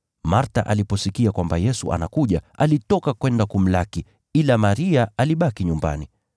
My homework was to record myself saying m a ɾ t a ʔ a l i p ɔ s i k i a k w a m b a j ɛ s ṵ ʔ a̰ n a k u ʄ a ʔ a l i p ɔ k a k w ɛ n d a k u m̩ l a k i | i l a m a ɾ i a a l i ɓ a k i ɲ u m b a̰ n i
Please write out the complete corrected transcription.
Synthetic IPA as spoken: m a ɾ t a ʔ a l i p ɔ s i k i a k w a m b a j ɛ s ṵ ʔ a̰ n a k u ʄ a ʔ a l i t ɔ k a k w ɛ n d a k u m̩ l a k i | i l a m a ɾ i a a l i ɓ a k i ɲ u m b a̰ n i